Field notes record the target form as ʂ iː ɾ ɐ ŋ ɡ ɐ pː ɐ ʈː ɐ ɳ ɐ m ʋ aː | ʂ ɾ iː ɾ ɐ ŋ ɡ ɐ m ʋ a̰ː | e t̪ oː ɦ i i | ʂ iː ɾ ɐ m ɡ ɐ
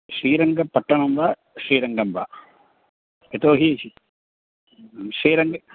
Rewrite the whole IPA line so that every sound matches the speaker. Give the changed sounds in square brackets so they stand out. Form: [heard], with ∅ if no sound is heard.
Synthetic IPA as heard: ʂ iː ɾ ɐ ŋ ɡ ɐ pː ɐ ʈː ɐ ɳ ɐ m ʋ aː | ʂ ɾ iː ɾ ɐ ŋ ɡ ɐ m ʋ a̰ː | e t̪ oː ɦ i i | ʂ iː ɾ ɐ [ŋ] ɡ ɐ